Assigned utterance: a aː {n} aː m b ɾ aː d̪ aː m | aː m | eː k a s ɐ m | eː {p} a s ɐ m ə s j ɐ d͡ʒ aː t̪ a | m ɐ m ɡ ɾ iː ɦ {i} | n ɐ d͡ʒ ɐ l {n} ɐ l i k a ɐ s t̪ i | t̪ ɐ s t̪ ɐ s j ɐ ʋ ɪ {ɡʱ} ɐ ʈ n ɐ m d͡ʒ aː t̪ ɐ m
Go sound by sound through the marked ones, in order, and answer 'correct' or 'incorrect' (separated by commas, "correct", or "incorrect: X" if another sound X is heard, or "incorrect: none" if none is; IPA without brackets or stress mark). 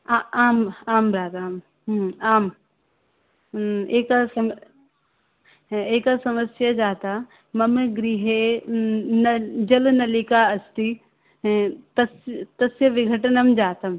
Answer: incorrect: m, incorrect: k, incorrect: e, correct, correct